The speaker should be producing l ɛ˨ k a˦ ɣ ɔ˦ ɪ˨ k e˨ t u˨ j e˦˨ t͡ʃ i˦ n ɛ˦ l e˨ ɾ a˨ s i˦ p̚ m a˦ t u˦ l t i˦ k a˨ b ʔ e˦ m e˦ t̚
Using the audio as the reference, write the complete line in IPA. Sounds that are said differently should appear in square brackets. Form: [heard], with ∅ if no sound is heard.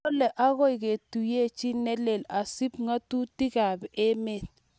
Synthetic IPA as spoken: l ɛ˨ [ʔ] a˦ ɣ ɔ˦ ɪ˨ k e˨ t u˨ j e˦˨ t͡ʃ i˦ n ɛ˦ l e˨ [l] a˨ s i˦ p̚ [ŋ] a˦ t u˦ [∅] t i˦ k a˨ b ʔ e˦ m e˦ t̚